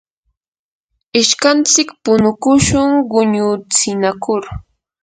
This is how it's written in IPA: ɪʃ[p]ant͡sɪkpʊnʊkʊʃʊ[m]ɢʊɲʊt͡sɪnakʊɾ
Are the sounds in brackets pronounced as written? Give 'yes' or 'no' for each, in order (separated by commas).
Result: no, no